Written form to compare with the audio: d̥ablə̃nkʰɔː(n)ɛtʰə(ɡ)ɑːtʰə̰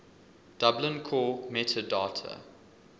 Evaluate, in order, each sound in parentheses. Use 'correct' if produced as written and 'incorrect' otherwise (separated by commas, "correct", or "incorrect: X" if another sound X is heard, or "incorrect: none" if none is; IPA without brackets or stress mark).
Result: incorrect: m, incorrect: d